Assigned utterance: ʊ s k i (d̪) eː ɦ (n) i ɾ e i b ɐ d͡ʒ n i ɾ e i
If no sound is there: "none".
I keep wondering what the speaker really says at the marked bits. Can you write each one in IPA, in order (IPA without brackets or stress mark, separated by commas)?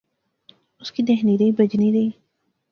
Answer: d̪, n